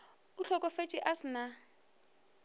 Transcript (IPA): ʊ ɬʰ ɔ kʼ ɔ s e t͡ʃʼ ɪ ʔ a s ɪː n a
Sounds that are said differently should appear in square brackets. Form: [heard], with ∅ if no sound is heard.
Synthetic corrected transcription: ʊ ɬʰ ɔ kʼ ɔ [f] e t͡ʃʼ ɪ ʔ a s [ɪ] n a